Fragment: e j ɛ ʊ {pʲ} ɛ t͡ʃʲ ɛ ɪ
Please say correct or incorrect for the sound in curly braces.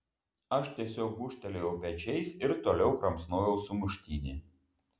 correct